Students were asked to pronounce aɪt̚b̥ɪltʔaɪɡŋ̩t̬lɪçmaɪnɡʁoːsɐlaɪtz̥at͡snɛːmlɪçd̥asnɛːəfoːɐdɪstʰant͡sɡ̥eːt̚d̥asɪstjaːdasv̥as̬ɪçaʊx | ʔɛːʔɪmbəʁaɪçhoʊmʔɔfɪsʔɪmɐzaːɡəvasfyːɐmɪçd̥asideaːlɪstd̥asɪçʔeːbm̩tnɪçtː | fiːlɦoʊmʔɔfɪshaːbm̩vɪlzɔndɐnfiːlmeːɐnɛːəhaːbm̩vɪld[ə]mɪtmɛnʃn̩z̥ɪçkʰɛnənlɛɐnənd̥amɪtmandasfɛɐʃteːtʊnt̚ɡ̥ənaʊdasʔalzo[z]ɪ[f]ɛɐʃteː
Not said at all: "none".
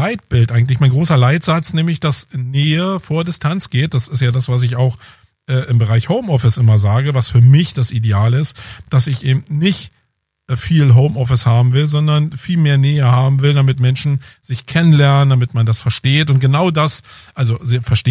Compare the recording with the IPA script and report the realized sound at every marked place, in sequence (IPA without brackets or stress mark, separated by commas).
a, z, f